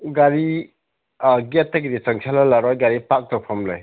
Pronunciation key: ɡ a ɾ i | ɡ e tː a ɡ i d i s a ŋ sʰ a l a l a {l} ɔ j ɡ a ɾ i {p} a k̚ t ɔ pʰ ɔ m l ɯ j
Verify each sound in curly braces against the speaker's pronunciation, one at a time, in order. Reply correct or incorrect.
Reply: incorrect, correct

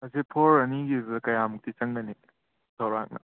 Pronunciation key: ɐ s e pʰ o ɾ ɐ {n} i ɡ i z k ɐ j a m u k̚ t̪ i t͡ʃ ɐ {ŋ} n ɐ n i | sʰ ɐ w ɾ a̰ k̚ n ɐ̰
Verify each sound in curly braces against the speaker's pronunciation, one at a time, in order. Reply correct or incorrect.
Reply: correct, correct

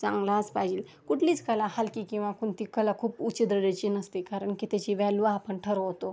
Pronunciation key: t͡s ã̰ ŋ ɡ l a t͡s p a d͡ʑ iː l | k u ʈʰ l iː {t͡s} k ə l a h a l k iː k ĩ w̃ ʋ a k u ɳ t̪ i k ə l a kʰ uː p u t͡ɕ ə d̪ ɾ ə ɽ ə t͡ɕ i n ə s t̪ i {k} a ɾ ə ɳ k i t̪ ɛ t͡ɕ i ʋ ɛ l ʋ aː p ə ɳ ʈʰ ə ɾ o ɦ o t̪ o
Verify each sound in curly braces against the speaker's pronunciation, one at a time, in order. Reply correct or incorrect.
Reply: correct, correct

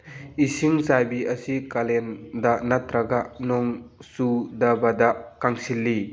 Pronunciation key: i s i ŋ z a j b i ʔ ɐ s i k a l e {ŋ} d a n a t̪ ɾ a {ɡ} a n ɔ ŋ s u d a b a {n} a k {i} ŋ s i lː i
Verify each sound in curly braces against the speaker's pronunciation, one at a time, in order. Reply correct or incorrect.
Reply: incorrect, correct, incorrect, incorrect

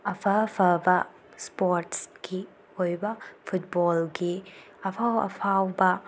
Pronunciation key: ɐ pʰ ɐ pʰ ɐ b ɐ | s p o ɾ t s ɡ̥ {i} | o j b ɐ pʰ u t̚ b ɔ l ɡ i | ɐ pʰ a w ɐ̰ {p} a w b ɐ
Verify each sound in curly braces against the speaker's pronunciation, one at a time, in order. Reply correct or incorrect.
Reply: correct, incorrect

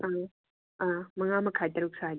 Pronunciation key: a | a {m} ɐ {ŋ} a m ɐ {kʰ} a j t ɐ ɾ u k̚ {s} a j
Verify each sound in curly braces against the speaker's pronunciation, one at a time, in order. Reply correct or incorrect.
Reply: correct, correct, correct, correct

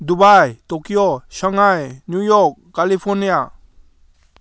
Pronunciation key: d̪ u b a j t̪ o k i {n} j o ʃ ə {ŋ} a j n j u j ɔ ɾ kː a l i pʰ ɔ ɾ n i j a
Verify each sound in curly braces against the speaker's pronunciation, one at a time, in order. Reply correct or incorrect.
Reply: incorrect, correct

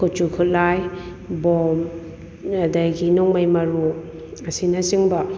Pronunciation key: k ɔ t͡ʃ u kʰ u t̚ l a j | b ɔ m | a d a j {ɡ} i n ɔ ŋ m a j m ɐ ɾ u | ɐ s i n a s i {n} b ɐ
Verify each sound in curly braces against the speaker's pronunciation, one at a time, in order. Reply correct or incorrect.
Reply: correct, incorrect

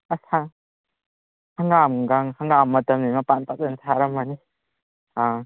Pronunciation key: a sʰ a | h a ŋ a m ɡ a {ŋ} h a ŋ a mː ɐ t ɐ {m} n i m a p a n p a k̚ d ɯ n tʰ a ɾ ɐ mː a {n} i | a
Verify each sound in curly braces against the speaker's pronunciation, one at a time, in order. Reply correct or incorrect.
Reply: correct, correct, correct

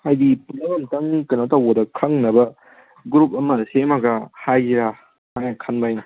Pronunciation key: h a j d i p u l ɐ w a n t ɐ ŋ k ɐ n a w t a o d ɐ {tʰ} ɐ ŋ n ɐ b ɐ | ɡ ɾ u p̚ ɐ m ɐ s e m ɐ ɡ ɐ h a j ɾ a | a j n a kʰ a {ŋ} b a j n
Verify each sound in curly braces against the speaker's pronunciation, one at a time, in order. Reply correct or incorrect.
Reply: incorrect, incorrect

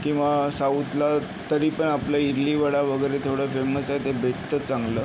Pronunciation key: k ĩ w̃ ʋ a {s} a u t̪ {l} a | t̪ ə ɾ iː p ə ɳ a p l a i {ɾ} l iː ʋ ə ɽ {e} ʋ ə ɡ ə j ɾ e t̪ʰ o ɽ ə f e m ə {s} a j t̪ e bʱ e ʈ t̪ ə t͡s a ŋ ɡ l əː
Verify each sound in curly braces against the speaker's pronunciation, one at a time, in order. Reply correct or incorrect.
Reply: correct, correct, correct, incorrect, correct

